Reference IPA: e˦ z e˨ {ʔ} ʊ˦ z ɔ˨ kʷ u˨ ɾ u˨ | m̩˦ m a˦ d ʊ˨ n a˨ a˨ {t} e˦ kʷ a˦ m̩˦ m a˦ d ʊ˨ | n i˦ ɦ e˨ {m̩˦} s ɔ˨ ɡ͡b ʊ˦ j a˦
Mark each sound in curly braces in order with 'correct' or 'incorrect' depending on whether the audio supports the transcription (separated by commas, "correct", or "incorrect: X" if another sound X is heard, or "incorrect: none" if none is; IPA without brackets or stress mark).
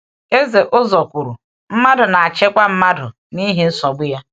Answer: correct, incorrect: t͡ʃ, incorrect: n̩˦